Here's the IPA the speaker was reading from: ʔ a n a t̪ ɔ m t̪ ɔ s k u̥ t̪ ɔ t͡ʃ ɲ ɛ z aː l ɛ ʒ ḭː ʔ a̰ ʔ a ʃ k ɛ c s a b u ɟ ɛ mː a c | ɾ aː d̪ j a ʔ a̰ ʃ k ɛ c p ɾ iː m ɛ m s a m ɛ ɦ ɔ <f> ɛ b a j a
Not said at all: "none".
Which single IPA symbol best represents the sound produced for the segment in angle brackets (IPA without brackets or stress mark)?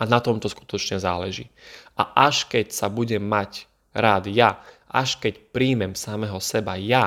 s